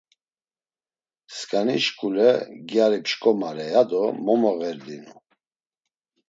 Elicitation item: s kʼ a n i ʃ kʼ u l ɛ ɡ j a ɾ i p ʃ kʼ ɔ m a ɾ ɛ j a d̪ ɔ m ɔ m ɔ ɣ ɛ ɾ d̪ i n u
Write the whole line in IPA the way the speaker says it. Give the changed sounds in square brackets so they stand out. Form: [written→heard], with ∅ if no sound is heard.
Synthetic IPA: s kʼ a n i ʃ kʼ u l ɛ ɡ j a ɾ i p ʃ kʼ ɔ m a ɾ ɛ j a d̪ ɔ m ɔ m ɔ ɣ ɛ ɾ d̪ i n u